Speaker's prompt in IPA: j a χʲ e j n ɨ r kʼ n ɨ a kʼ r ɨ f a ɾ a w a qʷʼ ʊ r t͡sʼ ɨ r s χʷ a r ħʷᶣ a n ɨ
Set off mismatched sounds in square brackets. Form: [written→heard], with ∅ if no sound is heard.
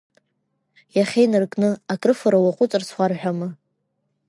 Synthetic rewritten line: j a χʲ e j n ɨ r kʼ n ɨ a kʼ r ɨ f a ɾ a w a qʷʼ ʊ [r→∅] t͡sʼ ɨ r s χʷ a r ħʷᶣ a [n→m] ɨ